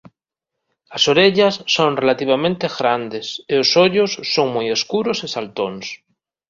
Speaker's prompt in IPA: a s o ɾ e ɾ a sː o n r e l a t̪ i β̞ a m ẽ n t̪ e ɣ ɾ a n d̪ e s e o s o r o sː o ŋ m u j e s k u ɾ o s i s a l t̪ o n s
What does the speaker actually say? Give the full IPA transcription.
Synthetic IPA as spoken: a s o ɾ e ʎ a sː o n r e l a t̪ i β̞ a m ẽ n t̪ e ɣ ɾ a n d̪ e s e o s o ʎ o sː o ŋ m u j e s k u ɾ o s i s a l t̪ o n s